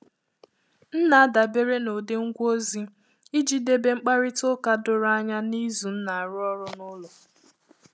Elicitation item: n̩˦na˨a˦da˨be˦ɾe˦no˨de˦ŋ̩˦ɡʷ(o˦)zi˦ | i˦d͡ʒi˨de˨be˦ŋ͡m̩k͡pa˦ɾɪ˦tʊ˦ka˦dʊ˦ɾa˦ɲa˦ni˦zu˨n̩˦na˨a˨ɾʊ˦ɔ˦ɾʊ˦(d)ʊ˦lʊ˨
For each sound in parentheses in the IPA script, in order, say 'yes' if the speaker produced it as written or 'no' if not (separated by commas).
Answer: yes, no